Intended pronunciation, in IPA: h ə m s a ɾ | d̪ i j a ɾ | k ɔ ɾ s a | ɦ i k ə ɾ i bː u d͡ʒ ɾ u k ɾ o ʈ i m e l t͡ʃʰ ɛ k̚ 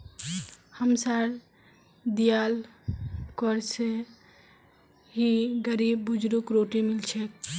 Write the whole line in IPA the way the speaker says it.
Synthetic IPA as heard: h ə m s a ɾ | d̪ i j a l | k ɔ ɾ s e | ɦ i ɡ ə ɾ i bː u d͡ʒ ɾ u k ɾ o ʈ i m i l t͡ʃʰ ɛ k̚